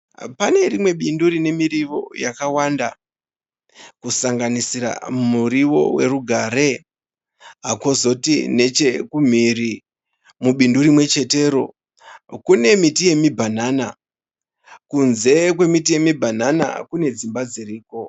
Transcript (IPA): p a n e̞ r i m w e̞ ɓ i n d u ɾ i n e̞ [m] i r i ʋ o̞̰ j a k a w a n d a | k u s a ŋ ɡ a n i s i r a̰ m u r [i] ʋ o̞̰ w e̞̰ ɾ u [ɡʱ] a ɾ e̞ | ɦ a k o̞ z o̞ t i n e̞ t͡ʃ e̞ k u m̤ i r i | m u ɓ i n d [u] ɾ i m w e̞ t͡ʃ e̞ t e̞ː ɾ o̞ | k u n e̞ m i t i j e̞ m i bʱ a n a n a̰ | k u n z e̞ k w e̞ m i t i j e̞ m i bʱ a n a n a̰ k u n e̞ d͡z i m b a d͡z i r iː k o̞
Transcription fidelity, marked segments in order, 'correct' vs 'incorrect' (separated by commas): correct, correct, correct, correct